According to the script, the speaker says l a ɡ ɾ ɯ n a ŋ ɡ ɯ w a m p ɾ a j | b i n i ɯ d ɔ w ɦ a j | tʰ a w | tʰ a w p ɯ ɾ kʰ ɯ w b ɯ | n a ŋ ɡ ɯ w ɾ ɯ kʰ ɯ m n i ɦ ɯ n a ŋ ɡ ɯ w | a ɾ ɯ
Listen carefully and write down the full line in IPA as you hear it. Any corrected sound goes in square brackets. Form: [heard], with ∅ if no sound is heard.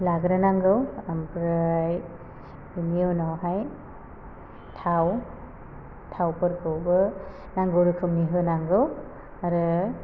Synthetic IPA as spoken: l a ɡ ɾ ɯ n a ŋ ɡ ɯ w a m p ɾ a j | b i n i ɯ [n] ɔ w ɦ a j | tʰ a w | tʰ a w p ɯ ɾ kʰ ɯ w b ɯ | n a ŋ ɡ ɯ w ɾ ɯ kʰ ɯ m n i ɦ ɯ n a ŋ ɡ ɯ w | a ɾ ɯ